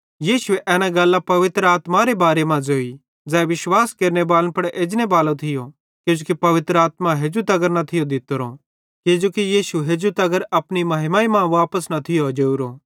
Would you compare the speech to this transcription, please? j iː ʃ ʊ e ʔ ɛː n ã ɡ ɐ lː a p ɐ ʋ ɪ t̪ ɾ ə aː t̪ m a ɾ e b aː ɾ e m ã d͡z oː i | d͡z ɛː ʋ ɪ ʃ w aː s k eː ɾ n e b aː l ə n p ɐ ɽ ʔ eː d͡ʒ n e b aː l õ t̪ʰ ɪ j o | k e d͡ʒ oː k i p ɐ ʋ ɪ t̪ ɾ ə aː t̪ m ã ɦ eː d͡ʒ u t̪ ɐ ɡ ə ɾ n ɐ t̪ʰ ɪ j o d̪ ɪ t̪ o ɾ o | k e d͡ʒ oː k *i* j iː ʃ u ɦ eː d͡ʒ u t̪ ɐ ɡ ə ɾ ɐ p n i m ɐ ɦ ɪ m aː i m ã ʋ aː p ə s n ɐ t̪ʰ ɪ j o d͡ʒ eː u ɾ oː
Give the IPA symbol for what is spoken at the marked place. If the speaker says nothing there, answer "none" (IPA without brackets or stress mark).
i